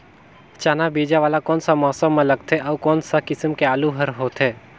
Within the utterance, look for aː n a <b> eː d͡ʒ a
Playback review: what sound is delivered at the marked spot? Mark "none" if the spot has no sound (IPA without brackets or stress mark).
b